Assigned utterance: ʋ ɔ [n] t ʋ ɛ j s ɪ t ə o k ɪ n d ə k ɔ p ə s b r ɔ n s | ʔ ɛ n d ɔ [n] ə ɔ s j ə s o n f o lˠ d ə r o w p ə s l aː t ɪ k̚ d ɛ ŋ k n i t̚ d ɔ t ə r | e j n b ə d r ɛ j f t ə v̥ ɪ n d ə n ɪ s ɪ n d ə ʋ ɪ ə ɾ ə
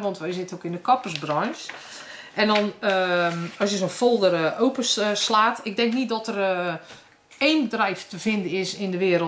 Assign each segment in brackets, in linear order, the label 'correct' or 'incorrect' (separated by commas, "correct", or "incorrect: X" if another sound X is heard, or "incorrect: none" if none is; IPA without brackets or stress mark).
correct, correct